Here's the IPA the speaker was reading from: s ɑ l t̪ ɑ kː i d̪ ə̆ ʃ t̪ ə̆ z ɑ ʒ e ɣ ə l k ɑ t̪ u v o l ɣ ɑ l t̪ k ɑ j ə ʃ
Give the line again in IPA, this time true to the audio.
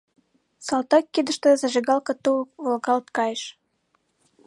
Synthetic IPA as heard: s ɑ l t̪ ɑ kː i d̪ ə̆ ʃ t̪ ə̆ z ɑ ʒ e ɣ ɑ l k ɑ t̪ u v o l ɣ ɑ l t̪ k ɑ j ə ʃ

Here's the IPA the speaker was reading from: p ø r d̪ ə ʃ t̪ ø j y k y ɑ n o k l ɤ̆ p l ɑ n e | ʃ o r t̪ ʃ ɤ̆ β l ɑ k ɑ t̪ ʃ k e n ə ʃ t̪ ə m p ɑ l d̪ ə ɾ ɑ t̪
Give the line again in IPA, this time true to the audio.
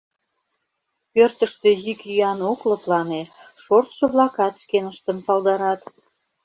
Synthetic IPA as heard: p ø r t̪ ə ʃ t̪ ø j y k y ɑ n o k l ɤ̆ p l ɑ n e | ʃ o r t̪ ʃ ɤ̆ β l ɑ k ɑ t̪ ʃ k e n ə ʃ t̪ ə m p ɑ l d̪ ɑ ɾ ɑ t̪

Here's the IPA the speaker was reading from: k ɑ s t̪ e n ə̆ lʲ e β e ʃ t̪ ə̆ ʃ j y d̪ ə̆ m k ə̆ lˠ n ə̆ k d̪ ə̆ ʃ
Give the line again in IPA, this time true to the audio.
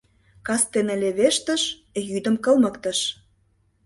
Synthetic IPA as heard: k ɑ s t̪ e n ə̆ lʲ e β e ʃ t̪ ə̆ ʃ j y d̪ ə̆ m k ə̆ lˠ m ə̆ k t̪ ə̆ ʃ

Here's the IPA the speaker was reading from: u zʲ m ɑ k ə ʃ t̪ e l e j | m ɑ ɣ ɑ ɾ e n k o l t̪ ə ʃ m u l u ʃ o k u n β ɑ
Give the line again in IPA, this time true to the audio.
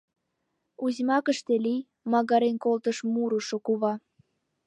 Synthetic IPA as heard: u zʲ m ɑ k ə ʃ t̪ e l i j | m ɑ ɣ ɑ ɾ e n k o l t̪ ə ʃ m u ɾ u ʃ o k u β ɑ

